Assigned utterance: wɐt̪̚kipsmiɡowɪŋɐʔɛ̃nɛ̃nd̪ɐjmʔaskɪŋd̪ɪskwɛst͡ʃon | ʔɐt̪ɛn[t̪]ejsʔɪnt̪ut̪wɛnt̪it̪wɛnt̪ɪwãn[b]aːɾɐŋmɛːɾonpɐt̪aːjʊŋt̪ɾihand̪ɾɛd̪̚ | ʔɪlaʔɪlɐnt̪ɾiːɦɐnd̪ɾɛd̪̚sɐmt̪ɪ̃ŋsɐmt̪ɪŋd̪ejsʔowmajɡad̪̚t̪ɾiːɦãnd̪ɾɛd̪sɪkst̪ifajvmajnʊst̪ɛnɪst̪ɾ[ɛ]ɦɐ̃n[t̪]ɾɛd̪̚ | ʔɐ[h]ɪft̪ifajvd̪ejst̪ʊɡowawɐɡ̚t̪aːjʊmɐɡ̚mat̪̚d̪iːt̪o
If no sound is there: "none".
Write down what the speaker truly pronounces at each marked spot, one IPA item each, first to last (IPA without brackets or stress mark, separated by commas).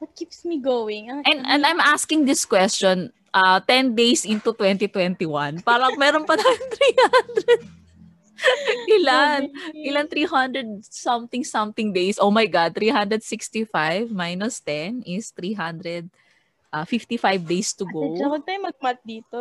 d̪, p, i, d̪, f